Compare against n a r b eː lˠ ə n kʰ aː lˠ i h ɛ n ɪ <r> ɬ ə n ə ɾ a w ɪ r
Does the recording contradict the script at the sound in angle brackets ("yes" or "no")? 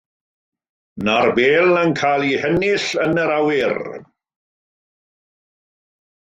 yes